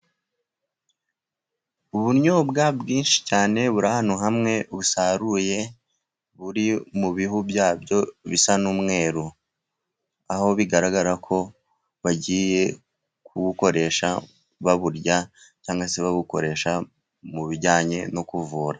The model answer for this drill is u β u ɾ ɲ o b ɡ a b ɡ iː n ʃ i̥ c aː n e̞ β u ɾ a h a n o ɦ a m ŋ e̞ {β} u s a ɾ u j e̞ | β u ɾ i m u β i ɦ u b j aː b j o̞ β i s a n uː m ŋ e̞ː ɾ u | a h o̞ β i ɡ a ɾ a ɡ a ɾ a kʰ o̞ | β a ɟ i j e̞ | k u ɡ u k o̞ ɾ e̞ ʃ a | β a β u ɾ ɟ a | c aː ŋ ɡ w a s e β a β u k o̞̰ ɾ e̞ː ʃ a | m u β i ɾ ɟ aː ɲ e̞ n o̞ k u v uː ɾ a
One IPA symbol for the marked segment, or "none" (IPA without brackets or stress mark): β